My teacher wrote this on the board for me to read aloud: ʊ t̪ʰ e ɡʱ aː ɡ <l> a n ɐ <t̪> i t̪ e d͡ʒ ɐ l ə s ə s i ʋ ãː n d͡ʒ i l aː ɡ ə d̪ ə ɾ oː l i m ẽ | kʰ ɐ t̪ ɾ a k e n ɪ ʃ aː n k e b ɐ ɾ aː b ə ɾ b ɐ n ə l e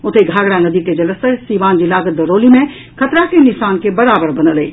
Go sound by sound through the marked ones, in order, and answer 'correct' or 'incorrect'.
incorrect, incorrect

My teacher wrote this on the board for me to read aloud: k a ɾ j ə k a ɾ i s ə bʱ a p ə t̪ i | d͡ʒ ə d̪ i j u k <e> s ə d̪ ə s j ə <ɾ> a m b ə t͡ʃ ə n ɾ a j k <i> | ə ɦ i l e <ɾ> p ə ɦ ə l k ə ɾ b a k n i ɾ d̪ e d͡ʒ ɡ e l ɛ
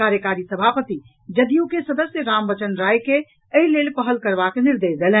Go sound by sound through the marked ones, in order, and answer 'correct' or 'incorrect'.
correct, correct, incorrect, incorrect

